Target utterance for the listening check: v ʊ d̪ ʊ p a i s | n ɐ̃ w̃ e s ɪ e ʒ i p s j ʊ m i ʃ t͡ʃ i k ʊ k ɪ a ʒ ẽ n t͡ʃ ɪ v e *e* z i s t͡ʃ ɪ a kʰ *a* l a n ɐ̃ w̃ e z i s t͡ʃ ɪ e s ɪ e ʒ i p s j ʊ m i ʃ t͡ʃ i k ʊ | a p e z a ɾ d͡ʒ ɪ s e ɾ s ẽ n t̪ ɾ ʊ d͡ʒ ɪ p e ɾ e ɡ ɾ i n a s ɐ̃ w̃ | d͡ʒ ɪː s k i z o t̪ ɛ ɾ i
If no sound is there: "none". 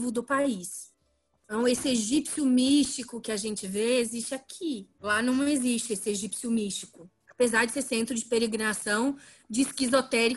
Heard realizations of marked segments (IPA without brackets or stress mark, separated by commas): e, i